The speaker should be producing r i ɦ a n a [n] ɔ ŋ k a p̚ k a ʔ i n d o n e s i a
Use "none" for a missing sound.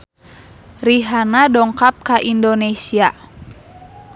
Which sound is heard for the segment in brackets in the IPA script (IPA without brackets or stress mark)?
d